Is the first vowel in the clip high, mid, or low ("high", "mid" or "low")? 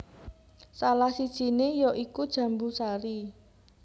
low